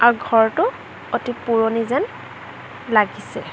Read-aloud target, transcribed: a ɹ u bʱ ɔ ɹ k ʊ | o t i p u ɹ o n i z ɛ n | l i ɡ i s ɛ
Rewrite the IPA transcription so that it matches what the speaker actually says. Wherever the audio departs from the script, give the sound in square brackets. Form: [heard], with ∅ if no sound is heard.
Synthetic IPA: a ɹ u [ɡʱ] ɔ ɹ [t] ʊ | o t i p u ɹ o n i z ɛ n | l [a] ɡ i s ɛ